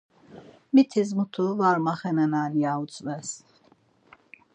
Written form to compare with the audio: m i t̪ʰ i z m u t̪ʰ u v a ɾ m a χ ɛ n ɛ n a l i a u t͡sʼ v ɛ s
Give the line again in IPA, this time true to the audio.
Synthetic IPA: m i t̪ʰ i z m u t̪ʰ u v a ɾ m a χ ɛ n ɛ n a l i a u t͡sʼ v ɛ s